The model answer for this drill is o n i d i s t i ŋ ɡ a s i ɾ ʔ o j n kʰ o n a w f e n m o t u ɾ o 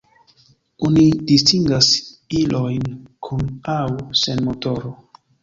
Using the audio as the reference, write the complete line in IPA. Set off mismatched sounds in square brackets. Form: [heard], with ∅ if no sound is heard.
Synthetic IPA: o n i d i s t i ŋ ɡ a s i [l] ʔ o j n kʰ [u] n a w [s] e n m o t [o] ɾ o